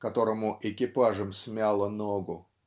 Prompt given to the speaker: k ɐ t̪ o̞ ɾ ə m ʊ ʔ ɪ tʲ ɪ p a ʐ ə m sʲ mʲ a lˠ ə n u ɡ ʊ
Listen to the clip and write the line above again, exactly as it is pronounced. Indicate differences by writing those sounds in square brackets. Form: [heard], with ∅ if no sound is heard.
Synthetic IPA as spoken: k ɐ t̪ o̞ ɾ ə m ʊ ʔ ɪ [kʲ] ɪ p a ʐ ə m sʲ mʲ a lˠ ə n [o] ɡ ʊ